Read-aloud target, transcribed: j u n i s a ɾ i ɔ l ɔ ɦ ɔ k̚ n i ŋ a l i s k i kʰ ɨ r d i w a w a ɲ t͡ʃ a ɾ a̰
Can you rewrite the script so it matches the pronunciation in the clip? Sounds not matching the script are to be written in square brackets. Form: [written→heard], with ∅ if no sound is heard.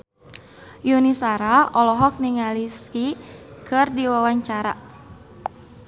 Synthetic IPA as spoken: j u n i s a ɾ [i→a] ɔ l ɔ ɦ ɔ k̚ n i ŋ a l i s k i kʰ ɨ r d i w a w a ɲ t͡ʃ a ɾ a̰